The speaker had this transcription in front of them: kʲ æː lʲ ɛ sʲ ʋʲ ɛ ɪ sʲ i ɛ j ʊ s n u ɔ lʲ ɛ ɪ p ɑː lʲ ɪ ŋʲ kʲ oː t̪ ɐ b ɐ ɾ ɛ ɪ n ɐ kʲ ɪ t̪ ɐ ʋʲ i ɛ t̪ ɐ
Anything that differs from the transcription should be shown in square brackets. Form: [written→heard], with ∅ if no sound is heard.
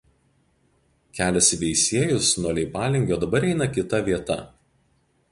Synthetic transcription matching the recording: kʲ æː lʲ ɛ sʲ ʋʲ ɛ ɪ sʲ i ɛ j ʊ s n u ɔ lʲ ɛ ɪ p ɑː lʲ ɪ ŋʲ [kʲ→ɡʲ] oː [t̪→d̪] ɐ b ɐ ɾ ɛ ɪ n ɐ kʲ ɪ t̪ ɐ ʋʲ i ɛ t̪ ɐ